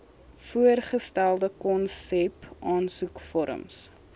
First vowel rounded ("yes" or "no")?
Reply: yes